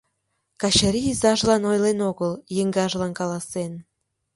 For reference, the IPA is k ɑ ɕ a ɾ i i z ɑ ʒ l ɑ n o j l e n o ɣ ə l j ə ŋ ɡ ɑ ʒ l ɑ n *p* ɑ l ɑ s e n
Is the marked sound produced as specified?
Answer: no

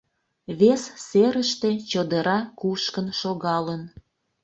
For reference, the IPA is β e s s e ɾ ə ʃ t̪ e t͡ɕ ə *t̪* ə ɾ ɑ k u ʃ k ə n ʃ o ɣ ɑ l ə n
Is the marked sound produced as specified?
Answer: no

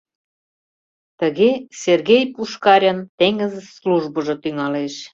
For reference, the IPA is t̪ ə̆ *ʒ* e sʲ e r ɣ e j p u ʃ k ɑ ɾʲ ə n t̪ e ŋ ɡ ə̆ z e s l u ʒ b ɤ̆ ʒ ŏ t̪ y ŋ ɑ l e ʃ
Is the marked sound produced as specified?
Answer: no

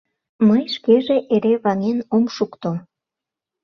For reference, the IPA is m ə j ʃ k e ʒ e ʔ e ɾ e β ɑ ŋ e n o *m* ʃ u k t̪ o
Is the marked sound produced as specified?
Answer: yes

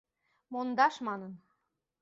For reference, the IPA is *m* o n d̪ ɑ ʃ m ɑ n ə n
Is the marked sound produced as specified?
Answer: yes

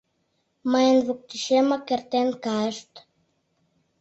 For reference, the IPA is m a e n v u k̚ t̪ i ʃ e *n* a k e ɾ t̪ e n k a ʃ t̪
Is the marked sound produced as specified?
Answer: no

